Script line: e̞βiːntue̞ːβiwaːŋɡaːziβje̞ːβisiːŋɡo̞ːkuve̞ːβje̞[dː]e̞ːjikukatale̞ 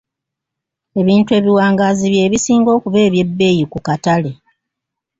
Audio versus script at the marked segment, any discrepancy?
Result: yes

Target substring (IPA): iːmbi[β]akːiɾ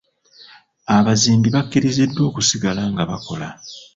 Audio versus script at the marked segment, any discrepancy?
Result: no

